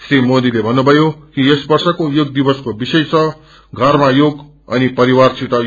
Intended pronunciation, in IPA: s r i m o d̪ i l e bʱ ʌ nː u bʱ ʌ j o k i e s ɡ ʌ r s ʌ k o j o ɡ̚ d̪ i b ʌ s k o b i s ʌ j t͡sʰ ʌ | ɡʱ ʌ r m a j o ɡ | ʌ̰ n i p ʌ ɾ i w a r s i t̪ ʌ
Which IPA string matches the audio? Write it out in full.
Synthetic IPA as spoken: s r i m o d̪ i l e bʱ ʌ nː u bʱ ʌ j o k i e s b ʌ r s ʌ k o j o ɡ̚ d̪ i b ʌ s k o b i s ʌ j t͡sʰ ʌ | ɡʱ ʌ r m a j o ɡ | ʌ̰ n i p ʌ ɾ i w a r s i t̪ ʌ